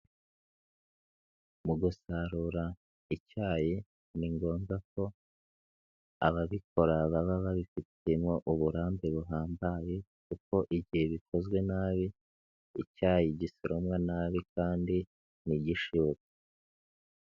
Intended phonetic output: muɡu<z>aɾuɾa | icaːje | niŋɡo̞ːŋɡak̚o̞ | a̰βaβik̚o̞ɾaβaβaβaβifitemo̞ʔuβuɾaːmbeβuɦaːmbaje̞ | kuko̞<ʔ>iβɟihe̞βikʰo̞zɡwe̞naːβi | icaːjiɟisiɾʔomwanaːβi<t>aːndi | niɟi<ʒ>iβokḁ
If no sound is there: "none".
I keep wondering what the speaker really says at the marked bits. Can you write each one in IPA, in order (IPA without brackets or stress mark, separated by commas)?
s, ʔ, k, ʃ